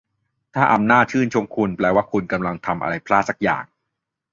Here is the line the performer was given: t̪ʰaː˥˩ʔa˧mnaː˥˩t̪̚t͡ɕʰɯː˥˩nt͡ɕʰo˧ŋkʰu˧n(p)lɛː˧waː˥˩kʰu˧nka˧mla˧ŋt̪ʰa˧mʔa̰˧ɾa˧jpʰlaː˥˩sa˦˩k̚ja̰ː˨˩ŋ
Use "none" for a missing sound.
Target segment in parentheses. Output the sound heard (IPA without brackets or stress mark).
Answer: p